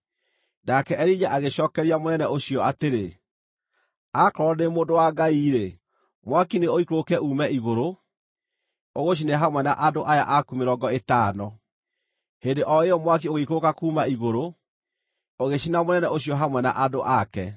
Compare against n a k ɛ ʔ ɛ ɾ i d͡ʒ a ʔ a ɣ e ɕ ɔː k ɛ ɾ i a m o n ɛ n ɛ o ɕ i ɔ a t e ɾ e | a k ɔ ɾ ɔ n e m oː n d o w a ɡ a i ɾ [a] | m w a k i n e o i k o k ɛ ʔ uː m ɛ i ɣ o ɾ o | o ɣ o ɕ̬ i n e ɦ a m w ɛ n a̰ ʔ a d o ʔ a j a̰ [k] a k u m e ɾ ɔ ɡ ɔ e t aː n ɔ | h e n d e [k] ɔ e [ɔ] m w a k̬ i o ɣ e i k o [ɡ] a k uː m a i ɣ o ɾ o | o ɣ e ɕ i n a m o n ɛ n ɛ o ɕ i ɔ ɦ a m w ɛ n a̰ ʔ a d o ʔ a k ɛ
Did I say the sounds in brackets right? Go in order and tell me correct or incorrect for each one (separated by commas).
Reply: incorrect, incorrect, incorrect, correct, incorrect